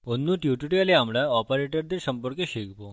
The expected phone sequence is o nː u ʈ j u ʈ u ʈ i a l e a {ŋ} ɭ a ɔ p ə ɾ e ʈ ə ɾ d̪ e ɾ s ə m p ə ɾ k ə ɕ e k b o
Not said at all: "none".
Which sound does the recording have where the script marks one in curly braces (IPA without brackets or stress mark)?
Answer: m